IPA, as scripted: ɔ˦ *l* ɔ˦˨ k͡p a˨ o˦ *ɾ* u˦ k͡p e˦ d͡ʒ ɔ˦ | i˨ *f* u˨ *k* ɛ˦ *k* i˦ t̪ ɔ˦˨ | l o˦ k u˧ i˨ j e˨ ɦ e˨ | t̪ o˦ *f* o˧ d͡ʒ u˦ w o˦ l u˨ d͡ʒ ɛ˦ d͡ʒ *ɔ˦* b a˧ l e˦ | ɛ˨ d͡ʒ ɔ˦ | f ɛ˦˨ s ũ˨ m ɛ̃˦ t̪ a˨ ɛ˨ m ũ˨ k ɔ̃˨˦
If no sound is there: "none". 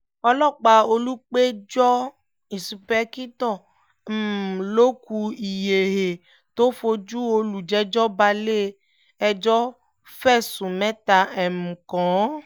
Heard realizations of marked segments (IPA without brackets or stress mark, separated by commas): l, l, s, p, k, f, ɔ˦